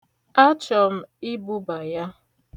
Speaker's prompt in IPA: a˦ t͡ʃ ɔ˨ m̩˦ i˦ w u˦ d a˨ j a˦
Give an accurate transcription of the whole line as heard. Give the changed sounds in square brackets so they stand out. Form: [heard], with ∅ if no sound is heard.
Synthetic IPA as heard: a˦ t͡ʃ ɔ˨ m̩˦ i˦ [b] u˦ [b] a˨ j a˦